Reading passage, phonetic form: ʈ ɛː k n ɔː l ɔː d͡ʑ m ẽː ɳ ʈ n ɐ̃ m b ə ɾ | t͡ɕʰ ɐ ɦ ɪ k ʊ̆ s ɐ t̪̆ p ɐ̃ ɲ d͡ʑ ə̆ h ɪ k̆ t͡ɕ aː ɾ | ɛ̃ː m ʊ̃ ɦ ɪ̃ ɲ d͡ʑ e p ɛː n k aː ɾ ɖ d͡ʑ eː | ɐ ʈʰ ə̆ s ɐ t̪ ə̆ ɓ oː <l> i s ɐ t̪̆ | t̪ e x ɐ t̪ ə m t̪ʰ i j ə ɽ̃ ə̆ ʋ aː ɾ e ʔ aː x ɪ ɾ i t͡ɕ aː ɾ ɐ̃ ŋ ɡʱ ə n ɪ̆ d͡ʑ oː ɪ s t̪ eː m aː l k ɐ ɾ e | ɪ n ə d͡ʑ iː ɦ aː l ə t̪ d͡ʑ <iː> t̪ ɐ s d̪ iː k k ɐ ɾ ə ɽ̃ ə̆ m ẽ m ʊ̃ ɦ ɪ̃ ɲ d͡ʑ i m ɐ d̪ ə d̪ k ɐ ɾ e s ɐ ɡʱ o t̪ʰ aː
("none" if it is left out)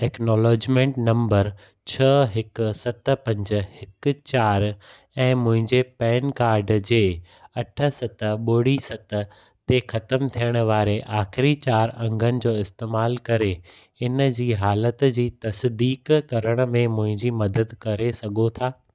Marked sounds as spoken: ɽ, iː

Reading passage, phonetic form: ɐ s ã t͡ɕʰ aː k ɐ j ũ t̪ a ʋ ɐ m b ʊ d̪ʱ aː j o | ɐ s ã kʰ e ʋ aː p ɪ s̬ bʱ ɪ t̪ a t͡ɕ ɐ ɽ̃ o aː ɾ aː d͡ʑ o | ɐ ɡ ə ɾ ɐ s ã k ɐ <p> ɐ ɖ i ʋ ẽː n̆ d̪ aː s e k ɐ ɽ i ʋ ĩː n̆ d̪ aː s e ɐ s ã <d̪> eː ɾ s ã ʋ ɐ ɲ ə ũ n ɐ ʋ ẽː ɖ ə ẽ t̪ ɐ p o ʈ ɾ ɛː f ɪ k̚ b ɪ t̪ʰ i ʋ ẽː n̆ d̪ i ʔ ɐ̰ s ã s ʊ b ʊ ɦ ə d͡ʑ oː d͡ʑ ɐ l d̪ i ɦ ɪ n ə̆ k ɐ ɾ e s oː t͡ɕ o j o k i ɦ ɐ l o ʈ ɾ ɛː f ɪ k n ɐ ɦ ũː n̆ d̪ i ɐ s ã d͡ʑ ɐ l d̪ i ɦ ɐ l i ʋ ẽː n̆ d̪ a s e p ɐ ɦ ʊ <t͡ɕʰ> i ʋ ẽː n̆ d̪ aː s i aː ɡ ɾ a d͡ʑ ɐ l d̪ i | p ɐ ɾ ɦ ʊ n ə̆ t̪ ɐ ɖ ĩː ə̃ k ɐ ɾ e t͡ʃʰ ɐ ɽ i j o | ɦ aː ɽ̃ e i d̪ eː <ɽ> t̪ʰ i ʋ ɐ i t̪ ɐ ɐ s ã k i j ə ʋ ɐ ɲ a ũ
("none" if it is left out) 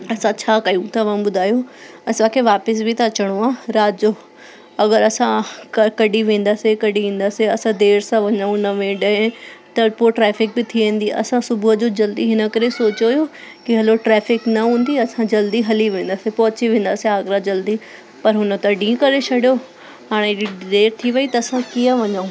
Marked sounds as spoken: k, d̪, t͡ɕ, ɾ

